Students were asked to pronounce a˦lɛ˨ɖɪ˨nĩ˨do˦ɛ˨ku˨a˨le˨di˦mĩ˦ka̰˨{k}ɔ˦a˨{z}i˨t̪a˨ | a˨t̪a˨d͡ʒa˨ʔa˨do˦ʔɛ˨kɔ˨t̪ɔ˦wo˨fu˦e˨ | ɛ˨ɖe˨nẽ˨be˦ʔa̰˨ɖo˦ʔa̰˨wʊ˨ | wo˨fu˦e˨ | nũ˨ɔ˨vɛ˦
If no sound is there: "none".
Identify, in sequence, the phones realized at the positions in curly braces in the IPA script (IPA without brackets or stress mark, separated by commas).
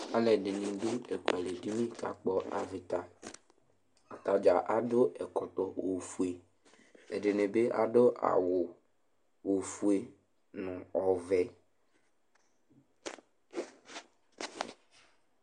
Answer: k͡p, v